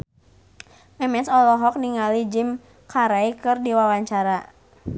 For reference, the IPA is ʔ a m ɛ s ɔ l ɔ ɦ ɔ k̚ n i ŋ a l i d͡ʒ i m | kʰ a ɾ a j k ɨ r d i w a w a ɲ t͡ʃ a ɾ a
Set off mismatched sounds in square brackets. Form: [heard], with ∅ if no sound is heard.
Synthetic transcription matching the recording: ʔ [ɛ] m ɛ s ɔ l ɔ ɦ ɔ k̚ n i ŋ a l i d͡ʒ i m | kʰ a ɾ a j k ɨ r d i w a w a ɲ t͡ʃ a ɾ a

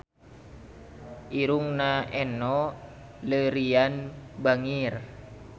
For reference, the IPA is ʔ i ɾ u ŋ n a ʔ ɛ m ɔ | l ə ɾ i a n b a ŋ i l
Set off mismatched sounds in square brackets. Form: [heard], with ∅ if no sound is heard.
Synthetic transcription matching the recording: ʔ i ɾ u ŋ n a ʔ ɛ [n] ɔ | l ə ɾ i a n b a ŋ i [r]

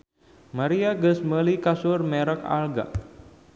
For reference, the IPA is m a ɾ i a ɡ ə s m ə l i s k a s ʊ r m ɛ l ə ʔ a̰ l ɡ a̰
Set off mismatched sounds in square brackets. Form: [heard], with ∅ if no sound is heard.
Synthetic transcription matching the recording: m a ɾ i a ɡ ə s m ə l i [∅] k a s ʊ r m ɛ [ɾ] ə [k] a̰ l ɡ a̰

